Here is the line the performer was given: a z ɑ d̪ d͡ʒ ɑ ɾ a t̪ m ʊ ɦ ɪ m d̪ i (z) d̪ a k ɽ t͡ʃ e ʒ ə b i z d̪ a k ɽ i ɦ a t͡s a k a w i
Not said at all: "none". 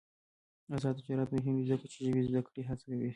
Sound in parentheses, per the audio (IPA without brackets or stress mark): z